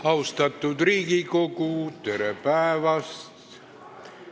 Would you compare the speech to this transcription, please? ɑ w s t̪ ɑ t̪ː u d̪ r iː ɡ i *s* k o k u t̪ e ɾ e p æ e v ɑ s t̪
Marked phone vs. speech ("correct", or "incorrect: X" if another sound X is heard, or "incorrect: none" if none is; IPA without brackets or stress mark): incorrect: none